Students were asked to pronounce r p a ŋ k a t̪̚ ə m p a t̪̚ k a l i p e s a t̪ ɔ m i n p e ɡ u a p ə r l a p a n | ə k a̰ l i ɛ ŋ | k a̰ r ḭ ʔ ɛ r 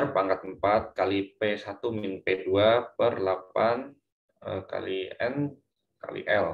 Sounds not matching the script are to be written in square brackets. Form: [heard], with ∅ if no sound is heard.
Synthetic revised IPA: r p a ŋ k a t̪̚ ə m p a t̪̚ k a l i p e s a t̪ [u] m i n p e [d] u a p ə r l a p a n | ə k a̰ l i ɛ [n] | k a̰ [l] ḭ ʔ ɛ [l]

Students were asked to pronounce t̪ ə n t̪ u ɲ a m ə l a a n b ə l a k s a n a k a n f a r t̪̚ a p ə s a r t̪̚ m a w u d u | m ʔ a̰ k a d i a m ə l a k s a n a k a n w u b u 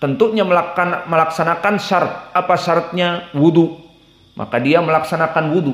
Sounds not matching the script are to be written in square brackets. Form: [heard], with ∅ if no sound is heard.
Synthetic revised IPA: t̪ ə n t̪ u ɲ a m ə l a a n [m] ə l a k s a n a k a n [s] a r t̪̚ a p [a] s a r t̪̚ [ɲ] a w u d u | m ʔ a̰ k a d i a m ə l a k s a n a k a n w u [d] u

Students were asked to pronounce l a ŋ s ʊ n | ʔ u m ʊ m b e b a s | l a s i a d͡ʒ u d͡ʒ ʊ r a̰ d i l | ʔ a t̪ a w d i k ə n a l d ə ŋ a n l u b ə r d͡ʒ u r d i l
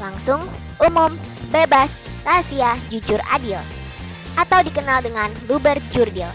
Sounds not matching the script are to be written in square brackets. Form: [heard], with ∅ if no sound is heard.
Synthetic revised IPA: l a ŋ s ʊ [ŋ] | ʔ u m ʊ m b e b a s | [r] a s i a d͡ʒ u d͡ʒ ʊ r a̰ d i l | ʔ a t̪ a w d i k ə n a l d ə ŋ a n l u b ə r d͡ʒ u r d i l

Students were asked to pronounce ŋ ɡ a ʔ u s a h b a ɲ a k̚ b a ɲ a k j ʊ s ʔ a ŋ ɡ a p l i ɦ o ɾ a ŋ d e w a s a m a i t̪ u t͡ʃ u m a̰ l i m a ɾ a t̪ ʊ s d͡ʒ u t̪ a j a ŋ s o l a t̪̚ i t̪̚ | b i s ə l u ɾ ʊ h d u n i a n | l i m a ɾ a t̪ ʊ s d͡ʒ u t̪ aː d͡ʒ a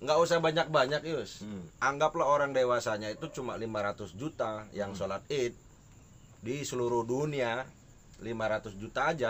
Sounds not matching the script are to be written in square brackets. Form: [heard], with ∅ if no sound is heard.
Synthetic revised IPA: ŋ ɡ a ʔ u s a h b a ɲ a k̚ b a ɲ a k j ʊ s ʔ a ŋ ɡ a p l [a] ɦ o ɾ a ŋ d e w a s a [ɲ] a i t̪ u t͡ʃ u m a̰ l i m a ɾ a t̪ ʊ s d͡ʒ u t̪ a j a ŋ s o l a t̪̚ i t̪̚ | [d] i s ə l u ɾ ʊ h d u n i a [∅] | l i m a ɾ a t̪ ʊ s d͡ʒ u t̪ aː d͡ʒ a

